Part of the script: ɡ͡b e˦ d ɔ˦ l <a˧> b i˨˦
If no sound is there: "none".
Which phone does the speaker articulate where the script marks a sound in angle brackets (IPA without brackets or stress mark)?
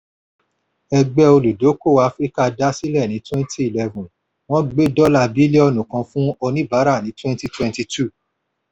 a˧